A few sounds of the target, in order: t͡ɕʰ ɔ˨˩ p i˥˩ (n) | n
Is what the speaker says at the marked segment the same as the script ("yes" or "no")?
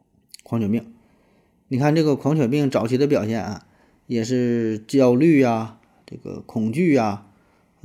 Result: no